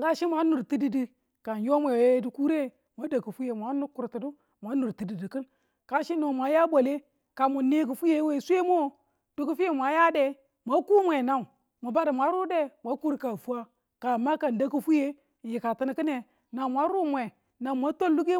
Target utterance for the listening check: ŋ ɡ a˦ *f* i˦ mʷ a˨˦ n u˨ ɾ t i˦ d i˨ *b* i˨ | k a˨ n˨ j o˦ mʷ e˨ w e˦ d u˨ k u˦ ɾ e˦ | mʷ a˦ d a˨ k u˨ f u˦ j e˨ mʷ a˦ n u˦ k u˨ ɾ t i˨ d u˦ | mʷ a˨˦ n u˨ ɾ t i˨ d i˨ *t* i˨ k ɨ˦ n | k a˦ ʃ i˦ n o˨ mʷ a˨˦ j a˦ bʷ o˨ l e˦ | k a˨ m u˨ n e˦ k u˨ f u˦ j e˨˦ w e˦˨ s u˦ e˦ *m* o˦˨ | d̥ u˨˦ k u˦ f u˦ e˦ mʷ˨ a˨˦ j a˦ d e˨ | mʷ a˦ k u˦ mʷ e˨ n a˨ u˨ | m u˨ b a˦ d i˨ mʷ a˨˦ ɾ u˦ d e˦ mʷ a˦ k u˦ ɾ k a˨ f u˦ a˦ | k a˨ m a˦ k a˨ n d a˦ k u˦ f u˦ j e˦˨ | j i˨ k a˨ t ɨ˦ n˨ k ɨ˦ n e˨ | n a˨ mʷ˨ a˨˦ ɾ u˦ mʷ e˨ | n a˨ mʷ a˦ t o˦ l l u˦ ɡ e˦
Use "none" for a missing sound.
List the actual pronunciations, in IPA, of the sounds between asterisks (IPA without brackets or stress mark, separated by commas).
ʃ, d, d, m